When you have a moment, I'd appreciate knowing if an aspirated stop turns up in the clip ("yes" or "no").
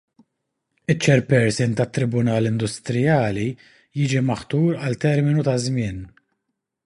no